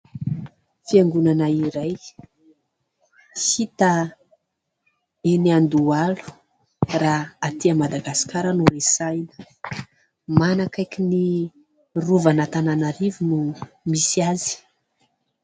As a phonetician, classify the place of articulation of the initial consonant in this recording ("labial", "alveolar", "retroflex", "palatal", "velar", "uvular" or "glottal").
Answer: labial